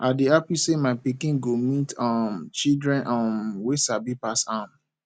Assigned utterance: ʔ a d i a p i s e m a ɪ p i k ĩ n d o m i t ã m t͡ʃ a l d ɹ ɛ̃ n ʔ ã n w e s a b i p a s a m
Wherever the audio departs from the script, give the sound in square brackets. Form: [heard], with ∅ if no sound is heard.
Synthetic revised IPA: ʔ a d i a p i s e m a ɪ p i k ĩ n [ɡ] o m i t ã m t͡ʃ [i] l d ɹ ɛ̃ n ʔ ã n w e s a b i p a s a m